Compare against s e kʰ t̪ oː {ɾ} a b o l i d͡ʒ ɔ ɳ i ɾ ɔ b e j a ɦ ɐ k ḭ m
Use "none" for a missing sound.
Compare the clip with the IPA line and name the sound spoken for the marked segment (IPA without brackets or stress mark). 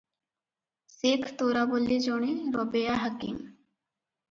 ɾ